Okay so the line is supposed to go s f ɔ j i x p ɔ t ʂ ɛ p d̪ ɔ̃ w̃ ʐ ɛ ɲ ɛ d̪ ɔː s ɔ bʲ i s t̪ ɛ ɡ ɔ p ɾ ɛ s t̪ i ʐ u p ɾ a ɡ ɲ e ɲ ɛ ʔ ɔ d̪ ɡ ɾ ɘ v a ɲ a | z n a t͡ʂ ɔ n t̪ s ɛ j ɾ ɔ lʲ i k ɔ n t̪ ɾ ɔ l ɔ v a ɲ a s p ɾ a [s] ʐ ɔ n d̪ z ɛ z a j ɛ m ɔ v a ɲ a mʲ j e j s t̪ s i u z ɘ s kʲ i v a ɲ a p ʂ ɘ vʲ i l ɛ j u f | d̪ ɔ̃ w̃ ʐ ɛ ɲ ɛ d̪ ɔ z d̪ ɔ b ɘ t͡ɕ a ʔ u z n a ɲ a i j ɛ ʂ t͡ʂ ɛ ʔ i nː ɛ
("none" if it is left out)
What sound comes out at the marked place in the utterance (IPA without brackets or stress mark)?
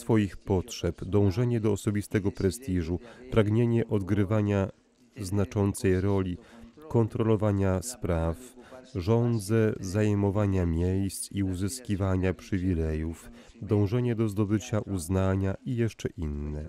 f